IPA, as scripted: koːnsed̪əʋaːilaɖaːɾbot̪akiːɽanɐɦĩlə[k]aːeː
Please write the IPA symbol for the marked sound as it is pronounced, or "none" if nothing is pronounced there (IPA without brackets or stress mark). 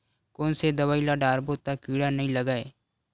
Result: ɡ